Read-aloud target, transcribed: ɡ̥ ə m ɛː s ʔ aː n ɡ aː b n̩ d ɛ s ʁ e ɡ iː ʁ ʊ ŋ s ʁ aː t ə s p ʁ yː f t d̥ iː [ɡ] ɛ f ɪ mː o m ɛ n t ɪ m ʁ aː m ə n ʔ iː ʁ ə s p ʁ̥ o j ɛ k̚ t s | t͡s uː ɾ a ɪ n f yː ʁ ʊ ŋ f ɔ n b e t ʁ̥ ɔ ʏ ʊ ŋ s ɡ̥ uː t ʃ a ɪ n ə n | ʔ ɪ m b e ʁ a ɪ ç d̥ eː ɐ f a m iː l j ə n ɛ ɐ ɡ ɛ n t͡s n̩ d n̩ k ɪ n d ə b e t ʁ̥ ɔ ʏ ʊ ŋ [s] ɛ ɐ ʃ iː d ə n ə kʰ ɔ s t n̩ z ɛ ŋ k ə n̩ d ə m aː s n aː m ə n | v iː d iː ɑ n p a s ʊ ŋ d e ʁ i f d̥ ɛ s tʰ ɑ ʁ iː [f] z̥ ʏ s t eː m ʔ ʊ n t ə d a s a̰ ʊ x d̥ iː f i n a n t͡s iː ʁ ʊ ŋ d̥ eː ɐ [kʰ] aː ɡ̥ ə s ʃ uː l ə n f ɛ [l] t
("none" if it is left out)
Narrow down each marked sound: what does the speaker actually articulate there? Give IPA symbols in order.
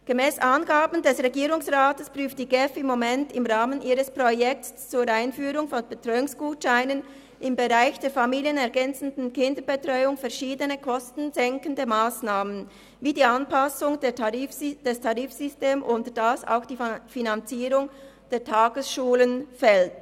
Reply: ɡ, f, f, tʰ, l

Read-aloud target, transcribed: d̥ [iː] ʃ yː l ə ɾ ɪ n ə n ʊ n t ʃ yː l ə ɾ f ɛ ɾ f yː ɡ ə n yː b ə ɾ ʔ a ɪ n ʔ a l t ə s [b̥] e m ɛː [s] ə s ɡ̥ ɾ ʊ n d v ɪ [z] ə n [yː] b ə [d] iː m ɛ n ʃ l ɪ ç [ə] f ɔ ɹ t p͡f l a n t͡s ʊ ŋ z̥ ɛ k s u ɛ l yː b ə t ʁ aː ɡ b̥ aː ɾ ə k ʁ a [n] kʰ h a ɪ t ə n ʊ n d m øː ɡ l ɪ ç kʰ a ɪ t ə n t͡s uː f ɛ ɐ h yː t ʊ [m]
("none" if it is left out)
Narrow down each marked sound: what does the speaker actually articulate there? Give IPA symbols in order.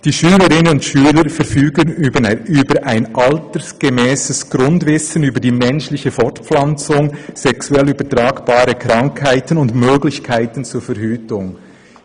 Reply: iː, ɡ̥, s, s, yː, d, ə, ŋ, ŋ

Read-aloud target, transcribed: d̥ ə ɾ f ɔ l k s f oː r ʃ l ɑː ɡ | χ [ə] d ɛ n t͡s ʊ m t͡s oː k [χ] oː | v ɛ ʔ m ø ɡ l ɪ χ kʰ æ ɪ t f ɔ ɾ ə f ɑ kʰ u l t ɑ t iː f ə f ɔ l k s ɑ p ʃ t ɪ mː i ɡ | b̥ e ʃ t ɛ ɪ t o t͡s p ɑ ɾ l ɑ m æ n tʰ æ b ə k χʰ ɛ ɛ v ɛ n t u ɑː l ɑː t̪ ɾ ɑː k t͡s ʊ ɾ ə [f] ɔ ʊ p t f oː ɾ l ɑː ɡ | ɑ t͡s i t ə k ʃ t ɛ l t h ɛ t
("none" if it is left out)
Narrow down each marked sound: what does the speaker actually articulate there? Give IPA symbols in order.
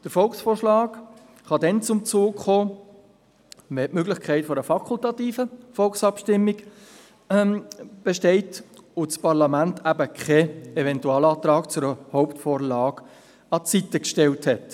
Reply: ɑ, χ, h

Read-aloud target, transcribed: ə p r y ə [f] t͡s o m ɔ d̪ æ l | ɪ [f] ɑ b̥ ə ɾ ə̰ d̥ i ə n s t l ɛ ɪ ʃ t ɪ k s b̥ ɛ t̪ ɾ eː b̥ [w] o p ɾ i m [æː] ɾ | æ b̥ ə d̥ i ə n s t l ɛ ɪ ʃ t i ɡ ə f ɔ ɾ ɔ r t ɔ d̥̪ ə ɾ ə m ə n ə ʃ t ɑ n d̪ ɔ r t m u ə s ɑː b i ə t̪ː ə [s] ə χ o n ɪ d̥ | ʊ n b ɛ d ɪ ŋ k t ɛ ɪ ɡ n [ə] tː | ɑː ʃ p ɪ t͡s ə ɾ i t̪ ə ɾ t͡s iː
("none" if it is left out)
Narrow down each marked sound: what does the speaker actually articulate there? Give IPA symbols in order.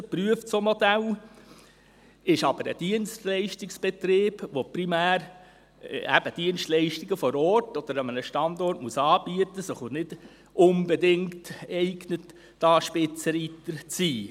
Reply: f, ʃ, ʋ, æː, s, ə

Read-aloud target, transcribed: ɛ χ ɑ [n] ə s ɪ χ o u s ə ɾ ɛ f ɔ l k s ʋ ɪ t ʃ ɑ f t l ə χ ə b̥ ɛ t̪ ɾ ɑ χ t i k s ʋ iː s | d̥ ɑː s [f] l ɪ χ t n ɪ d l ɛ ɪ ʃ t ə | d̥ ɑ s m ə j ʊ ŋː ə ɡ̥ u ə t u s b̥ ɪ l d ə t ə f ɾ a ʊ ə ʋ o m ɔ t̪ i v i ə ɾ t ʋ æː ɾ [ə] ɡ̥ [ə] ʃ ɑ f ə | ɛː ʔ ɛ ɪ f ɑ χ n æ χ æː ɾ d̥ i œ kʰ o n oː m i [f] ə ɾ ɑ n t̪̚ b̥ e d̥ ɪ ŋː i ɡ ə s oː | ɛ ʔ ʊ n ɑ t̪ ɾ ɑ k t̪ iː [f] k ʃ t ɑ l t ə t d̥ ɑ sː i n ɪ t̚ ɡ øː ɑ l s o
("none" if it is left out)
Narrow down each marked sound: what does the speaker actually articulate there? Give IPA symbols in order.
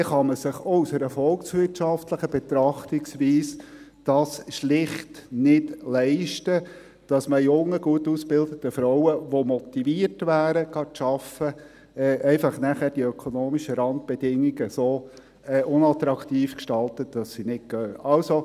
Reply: m, ʃ, ə, ɑ, ʃ, f

